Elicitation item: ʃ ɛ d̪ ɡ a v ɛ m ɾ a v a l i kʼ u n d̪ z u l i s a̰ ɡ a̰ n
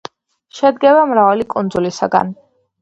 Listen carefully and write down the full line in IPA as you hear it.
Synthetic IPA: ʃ ɛ d̪ ɡ ɛ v a m ɾ a v a l i kʼ u n d̪ z u l i s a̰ ɡ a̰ n